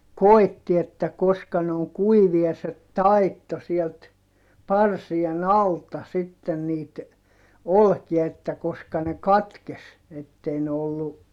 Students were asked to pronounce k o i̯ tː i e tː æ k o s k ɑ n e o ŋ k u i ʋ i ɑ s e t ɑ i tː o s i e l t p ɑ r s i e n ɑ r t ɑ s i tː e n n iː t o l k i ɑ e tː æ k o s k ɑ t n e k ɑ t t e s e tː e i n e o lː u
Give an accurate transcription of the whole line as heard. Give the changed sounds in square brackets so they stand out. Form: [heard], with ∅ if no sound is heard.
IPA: k o i̯ tː i e tː æ k o s k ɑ n e o ŋ k u i ʋ i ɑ s e t ɑ i tː o s i e l t p ɑ r s i e n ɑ [l] t ɑ s i tː e n n iː t o l k i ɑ e tː æ k o s k ɑ [∅] n e k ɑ t [k] e s e tː e i n e o lː u